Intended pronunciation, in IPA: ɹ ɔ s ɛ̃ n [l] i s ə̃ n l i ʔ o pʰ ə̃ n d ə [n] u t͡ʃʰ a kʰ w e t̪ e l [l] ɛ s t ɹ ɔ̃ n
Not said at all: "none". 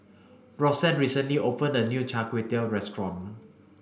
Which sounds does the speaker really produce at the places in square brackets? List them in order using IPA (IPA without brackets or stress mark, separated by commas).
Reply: ɹ, n, ɹ